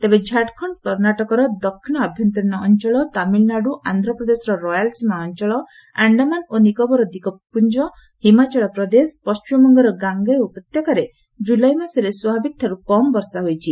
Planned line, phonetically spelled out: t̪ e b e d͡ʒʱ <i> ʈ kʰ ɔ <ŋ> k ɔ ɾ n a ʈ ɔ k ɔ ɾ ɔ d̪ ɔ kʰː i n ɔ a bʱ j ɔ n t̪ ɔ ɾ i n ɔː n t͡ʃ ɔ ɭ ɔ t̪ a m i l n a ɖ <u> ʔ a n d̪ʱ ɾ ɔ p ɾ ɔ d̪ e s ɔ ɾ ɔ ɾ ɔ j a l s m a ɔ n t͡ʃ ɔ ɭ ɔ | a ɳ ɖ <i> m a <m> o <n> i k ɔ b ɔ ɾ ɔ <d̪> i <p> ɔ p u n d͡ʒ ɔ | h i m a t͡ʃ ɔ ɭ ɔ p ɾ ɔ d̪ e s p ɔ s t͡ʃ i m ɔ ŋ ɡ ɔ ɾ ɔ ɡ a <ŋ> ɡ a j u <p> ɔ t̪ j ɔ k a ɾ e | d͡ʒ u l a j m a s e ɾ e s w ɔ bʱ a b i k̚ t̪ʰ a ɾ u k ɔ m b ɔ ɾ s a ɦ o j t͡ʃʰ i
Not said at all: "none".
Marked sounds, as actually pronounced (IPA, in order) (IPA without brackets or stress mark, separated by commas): a, ɳ, u, a, n, n, d̪, k, ŋ, p